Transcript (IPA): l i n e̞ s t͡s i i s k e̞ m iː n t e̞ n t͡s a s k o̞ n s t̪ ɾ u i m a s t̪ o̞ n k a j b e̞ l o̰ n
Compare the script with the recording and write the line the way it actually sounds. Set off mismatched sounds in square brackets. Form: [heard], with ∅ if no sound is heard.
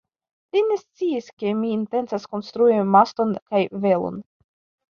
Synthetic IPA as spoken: l i n e̞ s t͡s i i s k e̞ m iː n t e̞ n t͡s a s k o̞ n s t̪ ɾ u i m a s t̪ o̞ n k a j [v] e̞ l o̰ n

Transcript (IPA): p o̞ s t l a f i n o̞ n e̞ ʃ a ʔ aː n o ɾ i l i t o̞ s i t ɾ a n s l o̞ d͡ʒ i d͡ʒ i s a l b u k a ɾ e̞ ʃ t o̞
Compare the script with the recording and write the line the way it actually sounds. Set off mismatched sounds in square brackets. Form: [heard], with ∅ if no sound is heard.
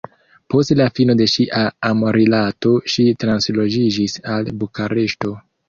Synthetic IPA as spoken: p o̞ s t l a f i n o̞ [d] e̞ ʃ [i] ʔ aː [m] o ɾ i l [a] t o̞ [ʃ] i t ɾ a n s l o̞ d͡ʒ i d͡ʒ i s a l b u k a ɾ e̞ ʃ t o̞

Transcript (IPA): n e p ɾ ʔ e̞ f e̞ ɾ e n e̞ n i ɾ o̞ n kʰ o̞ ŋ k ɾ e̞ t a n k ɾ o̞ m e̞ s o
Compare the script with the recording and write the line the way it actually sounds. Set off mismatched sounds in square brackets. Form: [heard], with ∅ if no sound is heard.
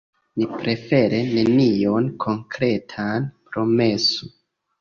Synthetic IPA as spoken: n [i] p ɾ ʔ e̞ f e̞ ɾ e n e̞ n i [∅] o̞ n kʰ o̞ ŋ k ɾ e̞ [tʰ] a n [p] ɾ o̞ m e̞ s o

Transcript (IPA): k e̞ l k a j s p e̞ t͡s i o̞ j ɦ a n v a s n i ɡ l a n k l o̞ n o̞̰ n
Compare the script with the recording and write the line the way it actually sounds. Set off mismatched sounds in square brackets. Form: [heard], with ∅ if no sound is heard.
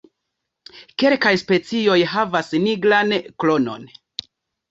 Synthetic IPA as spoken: k e̞ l k a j s p e̞ t͡s i o̞ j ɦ a [∅] v a s n i ɡ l a n k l o̞ n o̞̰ n

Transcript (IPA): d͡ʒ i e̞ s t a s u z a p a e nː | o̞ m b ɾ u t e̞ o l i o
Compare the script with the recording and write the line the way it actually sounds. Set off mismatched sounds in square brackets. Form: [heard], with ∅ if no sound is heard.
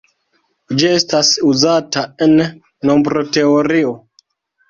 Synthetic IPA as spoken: d͡ʒ i e̞ s t a s u z a [t] a e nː | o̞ m b ɾ [o] t e̞ o [ɾ] i o

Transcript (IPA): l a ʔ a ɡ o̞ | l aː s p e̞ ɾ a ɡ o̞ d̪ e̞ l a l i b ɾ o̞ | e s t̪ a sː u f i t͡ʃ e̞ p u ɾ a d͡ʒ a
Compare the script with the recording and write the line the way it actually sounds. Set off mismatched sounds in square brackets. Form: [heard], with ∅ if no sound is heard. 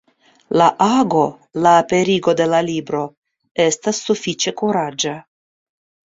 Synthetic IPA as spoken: l a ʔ a ɡ o̞ | l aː [∅] p e̞ ɾ [i] ɡ o̞ d̪ e̞ l a l i b ɾ o̞ | e s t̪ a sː u f i t͡ʃ e̞ [k] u ɾ a d͡ʒ a

